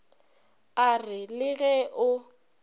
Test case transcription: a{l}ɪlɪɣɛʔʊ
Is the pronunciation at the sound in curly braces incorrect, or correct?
incorrect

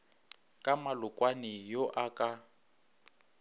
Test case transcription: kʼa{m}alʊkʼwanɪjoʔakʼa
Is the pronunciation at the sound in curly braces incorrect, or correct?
correct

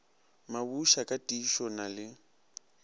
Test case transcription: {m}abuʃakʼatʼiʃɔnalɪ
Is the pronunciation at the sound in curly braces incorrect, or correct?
correct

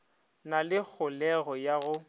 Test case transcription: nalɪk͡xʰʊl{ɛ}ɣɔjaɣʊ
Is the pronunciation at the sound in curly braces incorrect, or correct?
correct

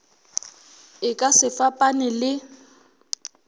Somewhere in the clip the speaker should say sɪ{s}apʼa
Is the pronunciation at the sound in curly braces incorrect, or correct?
incorrect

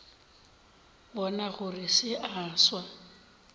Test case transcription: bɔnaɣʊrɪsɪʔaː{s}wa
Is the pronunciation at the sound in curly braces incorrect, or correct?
correct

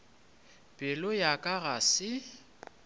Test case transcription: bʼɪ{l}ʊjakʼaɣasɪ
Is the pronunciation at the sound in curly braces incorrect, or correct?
correct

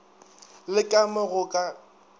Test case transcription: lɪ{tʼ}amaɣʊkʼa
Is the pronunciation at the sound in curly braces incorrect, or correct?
incorrect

